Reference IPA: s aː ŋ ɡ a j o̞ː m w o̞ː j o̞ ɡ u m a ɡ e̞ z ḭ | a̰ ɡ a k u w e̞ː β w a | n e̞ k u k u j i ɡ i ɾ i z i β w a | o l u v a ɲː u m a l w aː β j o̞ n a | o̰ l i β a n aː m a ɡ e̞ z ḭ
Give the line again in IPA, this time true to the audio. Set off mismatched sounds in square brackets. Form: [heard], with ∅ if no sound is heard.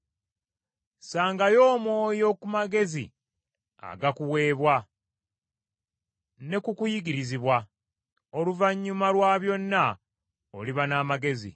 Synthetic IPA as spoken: s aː ŋ ɡ a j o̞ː m w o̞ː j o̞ [k] u m a ɡ e̞ z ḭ | a̰ ɡ a k u w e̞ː β w a | n e̞ k u k u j i ɡ i ɾ i z i β w a | o l u v a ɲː u m a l w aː β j o̞ [nː] a | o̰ l i β a n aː m a ɡ e̞ z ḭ